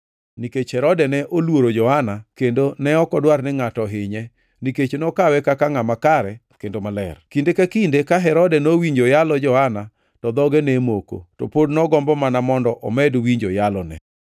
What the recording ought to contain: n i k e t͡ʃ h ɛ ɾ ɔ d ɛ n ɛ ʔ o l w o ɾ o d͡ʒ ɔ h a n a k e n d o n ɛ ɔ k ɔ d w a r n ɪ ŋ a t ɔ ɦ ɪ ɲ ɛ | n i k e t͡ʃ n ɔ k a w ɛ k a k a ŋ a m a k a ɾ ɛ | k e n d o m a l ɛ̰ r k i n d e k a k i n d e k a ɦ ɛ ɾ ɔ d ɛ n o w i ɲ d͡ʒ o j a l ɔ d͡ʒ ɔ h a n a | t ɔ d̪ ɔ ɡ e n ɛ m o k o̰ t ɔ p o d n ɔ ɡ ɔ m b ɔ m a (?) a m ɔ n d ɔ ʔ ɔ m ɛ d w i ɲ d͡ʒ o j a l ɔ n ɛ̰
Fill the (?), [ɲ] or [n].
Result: n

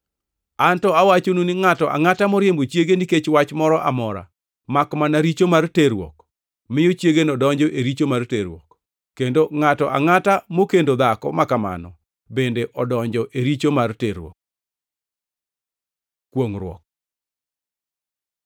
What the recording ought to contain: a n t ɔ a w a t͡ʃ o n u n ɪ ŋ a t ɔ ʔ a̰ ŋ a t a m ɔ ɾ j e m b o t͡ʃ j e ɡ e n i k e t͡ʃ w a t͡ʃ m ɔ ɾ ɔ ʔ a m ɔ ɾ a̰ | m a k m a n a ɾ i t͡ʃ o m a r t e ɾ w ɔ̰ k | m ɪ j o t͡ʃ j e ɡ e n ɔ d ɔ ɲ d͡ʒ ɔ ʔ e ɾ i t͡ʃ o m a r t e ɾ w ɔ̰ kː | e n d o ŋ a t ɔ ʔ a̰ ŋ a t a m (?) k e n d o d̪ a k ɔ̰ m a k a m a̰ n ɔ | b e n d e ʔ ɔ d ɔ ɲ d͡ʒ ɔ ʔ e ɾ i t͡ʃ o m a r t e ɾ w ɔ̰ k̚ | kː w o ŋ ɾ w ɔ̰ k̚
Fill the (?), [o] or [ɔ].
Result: o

